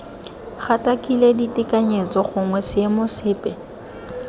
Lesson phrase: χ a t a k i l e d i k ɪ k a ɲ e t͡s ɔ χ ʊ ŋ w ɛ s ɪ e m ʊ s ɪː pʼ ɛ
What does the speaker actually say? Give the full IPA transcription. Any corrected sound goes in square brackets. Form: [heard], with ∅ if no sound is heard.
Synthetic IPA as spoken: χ a t a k i l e d i [t] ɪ k a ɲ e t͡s ɔ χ ʊ ŋ w ɛ s ɪ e m ʊ s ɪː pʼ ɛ